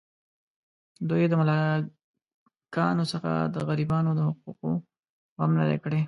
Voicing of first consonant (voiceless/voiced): voiced